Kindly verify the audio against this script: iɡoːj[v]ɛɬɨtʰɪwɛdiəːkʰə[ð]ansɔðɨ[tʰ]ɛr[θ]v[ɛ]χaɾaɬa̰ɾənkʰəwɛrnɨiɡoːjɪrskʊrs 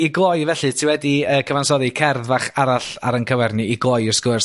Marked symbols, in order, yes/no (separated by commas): yes, no, no, no, no